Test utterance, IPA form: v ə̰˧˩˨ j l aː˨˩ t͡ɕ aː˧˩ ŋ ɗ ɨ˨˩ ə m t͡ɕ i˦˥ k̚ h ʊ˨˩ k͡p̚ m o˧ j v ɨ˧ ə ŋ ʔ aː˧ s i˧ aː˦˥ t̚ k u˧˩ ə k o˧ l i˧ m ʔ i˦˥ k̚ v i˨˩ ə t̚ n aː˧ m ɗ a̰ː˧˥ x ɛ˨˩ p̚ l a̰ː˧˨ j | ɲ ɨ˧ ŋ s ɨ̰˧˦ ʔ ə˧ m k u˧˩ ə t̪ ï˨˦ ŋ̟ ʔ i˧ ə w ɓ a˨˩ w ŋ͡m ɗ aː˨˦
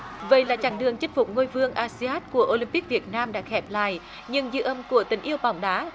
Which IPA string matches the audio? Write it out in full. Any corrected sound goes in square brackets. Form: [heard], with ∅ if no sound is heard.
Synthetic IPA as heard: v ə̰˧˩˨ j l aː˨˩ t͡ɕ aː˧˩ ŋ ɗ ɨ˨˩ ə [ŋ] t͡ɕ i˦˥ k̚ [f] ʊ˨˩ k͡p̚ [ŋ] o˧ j v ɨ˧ ə ŋ ʔ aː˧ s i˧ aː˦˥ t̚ k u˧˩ ə [ʔ] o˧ l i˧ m [p] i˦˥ k̚ v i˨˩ ə t̚ n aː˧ m ɗ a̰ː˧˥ x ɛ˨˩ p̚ l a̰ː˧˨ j | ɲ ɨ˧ ŋ [z] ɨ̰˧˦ ʔ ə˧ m k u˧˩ ə t̪ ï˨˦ ŋ̟ ʔ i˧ ə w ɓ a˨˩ w ŋ͡m ɗ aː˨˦